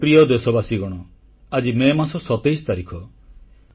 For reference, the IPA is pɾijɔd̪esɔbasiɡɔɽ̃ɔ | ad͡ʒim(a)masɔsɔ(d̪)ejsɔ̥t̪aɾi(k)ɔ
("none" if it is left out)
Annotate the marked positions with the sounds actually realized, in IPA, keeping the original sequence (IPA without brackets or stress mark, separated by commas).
e, t̪, kʰ